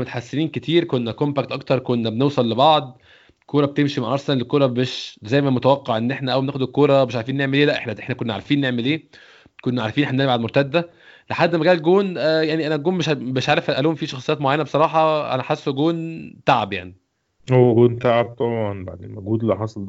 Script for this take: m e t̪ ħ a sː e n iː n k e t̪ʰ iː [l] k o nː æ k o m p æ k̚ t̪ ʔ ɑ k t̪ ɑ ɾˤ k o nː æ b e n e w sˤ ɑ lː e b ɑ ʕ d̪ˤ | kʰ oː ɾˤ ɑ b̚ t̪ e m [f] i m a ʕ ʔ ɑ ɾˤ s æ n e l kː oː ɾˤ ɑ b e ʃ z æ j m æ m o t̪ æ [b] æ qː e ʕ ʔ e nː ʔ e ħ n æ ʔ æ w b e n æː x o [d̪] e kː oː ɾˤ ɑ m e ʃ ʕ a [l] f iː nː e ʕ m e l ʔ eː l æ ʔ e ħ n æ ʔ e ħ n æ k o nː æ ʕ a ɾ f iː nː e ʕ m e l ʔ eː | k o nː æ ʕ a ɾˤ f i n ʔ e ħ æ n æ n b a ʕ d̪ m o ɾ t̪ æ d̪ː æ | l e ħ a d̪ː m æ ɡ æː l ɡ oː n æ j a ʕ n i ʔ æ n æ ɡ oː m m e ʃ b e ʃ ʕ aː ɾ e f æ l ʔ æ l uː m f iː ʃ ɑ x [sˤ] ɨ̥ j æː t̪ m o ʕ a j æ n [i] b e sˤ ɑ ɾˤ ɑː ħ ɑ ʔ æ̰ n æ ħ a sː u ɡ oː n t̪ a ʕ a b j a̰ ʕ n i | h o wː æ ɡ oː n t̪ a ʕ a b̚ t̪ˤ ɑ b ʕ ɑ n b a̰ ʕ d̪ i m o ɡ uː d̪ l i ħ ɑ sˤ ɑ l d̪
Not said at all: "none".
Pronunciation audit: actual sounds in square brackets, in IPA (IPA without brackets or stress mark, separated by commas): ɾ, ʃ, w, d̪, ɾ, sˤ, æ